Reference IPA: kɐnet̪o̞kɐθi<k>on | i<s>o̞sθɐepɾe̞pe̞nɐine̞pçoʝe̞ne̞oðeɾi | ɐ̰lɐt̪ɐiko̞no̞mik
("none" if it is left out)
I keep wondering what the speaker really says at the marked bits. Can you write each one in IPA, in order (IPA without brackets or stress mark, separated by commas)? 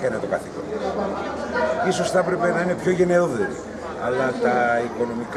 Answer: k, s